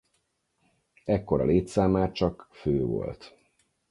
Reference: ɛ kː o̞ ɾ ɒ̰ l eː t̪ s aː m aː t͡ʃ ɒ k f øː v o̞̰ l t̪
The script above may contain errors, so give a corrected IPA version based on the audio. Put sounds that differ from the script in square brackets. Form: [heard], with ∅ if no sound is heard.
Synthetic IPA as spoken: ɛ kː o̞ ɾ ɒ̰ l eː t̪ s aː m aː t͡ʃ ɒ k f øː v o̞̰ l t̪